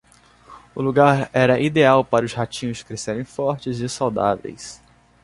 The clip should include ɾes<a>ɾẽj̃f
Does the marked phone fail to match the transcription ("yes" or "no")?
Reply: yes